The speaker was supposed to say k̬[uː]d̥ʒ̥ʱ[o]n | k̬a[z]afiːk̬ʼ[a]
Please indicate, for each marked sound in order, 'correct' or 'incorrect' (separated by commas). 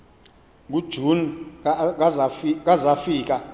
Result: incorrect, incorrect, correct, correct